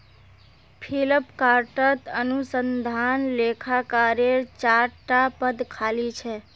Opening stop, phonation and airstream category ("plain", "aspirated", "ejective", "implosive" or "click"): aspirated